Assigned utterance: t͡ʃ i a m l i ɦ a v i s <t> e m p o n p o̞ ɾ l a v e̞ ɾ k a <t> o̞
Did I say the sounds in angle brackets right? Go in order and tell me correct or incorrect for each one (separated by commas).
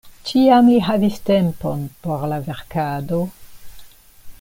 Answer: correct, incorrect